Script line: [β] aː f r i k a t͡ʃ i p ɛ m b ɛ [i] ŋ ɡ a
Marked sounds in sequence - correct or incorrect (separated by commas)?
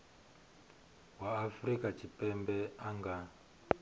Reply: incorrect, incorrect